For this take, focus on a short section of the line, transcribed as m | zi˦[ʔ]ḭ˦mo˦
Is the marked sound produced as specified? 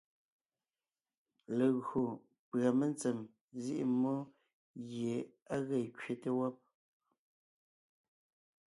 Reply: yes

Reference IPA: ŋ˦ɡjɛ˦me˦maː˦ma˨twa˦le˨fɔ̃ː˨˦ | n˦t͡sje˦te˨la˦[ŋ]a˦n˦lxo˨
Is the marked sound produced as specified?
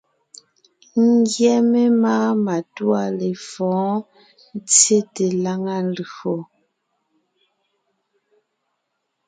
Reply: yes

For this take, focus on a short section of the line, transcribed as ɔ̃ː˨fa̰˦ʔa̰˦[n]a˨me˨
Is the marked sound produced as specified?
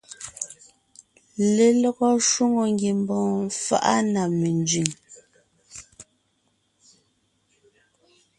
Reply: yes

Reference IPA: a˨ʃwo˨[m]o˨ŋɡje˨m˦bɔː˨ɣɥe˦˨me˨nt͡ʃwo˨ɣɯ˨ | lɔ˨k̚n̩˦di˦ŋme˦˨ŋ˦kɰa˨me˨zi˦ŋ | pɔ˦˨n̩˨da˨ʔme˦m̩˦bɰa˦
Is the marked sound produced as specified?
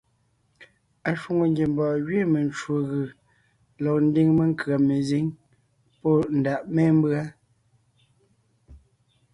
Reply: no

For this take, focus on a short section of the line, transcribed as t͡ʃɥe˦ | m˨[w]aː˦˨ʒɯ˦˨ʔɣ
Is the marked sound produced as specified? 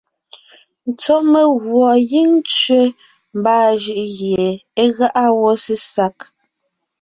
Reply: no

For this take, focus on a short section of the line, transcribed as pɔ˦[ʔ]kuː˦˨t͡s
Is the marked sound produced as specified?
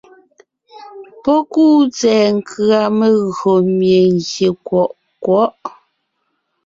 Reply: no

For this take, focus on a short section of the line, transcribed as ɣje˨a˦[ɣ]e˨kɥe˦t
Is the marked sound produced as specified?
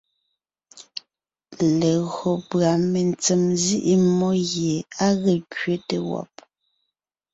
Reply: yes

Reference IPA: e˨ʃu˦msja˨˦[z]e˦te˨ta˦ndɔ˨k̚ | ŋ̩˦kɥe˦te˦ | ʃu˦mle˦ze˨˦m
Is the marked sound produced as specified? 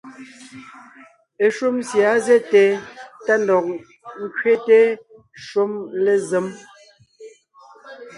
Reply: yes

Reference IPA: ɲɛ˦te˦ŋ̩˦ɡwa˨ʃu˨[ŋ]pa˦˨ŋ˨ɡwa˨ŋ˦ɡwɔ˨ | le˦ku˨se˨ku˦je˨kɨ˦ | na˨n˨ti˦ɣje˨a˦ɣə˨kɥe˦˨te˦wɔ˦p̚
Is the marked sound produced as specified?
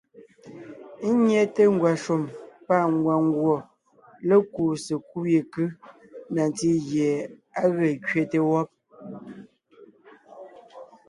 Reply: no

